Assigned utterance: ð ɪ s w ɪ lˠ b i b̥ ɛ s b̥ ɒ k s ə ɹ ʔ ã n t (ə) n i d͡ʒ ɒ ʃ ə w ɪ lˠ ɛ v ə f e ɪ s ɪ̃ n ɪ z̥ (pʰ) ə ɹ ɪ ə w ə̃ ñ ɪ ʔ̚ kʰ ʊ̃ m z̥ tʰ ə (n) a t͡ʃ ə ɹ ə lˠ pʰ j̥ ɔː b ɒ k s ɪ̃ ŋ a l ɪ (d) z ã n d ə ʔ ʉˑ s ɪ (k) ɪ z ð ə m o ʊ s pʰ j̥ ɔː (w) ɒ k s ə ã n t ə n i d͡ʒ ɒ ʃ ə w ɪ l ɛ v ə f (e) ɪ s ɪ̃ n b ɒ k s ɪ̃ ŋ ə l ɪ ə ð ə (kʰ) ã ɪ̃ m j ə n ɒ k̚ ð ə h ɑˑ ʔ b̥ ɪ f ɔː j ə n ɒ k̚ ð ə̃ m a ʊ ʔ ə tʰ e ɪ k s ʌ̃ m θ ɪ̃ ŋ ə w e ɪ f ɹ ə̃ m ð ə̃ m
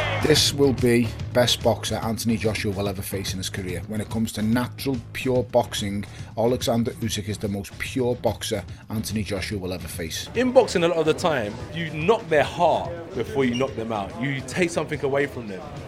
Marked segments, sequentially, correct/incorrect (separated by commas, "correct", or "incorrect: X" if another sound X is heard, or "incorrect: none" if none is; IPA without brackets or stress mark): correct, incorrect: kʰ, correct, incorrect: ɡ, correct, incorrect: b, correct, incorrect: tʰ